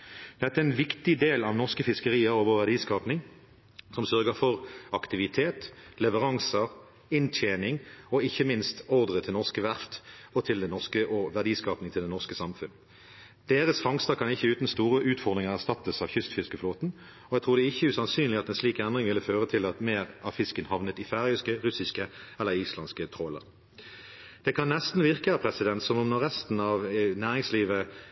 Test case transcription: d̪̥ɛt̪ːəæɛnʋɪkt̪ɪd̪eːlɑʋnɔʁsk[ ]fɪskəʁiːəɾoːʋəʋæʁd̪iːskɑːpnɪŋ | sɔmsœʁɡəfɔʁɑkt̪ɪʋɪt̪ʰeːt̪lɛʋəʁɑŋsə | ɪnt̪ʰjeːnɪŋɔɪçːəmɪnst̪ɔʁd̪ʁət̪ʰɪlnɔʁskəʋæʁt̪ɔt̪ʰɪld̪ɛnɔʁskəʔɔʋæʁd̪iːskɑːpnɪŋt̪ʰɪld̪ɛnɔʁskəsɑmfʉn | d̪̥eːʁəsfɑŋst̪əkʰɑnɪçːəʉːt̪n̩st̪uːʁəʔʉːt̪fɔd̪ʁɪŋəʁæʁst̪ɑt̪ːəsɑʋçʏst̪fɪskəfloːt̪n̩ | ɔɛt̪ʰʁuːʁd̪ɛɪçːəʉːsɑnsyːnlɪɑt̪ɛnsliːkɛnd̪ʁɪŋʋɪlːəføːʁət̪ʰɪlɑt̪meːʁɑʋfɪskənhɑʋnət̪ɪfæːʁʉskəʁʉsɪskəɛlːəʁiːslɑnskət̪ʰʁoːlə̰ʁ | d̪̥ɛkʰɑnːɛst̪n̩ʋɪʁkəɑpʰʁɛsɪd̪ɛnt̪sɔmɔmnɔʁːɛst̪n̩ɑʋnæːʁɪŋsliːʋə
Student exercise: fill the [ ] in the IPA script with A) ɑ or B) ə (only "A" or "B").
B